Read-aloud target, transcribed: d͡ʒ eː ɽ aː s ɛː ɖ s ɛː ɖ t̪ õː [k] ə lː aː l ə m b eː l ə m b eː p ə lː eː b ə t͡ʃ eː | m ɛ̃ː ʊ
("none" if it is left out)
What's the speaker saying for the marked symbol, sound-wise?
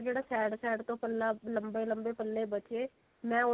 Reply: p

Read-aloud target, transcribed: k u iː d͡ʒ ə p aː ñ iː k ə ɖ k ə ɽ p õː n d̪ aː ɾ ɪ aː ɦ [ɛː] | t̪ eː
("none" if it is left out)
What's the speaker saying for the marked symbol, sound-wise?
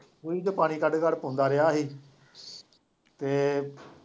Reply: iː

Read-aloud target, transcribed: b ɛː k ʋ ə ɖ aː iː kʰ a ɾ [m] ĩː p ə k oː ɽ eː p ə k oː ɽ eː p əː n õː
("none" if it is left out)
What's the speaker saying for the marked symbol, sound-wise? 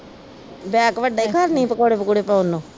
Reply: n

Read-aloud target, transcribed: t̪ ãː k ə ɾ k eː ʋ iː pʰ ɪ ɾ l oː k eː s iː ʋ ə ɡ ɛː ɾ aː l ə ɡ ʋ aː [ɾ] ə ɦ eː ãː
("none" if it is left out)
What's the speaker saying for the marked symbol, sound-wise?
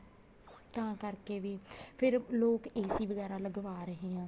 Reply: ɾ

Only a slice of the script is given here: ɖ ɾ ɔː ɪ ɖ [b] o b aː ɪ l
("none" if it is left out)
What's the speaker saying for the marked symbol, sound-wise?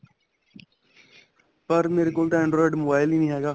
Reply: m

